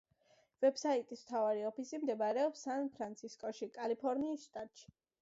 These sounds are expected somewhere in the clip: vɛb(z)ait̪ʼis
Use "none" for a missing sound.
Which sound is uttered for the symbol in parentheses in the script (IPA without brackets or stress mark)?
s